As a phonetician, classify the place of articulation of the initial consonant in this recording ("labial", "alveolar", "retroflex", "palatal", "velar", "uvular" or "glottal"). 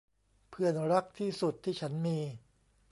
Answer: labial